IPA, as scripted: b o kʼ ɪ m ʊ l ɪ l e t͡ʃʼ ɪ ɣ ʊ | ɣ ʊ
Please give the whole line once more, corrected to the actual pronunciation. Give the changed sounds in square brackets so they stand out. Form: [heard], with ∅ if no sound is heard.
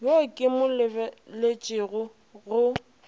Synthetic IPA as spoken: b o kʼ ɪ m ʊ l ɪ l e t͡ʃʼ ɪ ɣ ʊ | ɣ ʊ